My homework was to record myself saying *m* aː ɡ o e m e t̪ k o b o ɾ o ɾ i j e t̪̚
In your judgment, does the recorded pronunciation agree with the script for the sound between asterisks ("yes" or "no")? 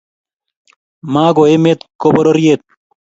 yes